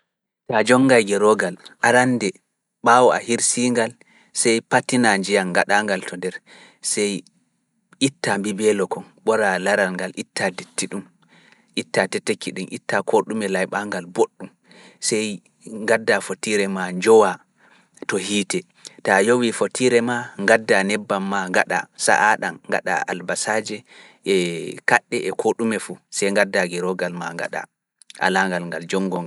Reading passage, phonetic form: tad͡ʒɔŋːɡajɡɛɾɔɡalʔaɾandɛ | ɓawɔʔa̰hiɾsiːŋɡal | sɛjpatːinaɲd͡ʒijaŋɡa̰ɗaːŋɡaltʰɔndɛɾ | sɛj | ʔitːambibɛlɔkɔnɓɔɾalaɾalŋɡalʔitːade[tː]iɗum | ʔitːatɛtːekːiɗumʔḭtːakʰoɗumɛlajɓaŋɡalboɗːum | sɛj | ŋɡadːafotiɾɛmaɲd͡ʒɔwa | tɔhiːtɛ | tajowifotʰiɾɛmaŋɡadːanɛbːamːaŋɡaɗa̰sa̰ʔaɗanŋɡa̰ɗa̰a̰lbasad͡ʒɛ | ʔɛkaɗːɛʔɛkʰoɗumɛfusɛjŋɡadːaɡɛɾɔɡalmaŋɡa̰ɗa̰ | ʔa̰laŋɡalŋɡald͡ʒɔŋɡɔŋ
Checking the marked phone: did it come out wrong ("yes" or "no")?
no